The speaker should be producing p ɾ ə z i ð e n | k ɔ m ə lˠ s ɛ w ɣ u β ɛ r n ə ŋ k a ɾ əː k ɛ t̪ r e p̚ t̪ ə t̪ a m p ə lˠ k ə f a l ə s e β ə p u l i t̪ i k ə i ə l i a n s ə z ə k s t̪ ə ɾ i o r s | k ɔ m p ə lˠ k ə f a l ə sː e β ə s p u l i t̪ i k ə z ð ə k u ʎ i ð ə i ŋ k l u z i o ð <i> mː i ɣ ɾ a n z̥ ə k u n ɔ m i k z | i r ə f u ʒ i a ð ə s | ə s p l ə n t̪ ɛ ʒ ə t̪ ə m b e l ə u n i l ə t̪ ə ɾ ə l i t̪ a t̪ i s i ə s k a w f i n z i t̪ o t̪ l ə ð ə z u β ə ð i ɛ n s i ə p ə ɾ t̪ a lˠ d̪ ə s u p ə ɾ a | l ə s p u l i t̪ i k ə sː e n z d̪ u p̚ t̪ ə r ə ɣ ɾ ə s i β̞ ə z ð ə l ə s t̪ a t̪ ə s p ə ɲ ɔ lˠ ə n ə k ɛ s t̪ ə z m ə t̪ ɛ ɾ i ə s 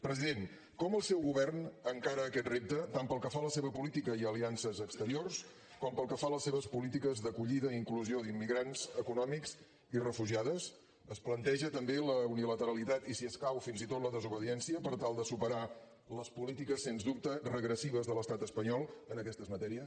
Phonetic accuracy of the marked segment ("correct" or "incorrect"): correct